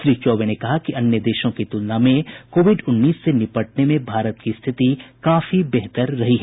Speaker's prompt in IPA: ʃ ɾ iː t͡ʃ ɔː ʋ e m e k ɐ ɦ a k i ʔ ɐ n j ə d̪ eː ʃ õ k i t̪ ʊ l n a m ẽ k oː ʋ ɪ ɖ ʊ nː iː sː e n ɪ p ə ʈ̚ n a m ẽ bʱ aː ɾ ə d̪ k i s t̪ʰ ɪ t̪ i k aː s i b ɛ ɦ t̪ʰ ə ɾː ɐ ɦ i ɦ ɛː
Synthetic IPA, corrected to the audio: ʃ ɾ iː t͡ʃ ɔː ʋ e n e k ɐ ɦ a k i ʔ ɐ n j ə d̪ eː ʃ õ k i t̪ ʊ l n a m ẽ k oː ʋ ɪ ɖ ʊ nː iː sː e n ɪ p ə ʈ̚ n e m ẽ bʱ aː ɾ ə t̪ k i s t̪ʰ ɪ t̪ i k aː f i b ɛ ɦ t̪ ə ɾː ɐ ɦ i ɦ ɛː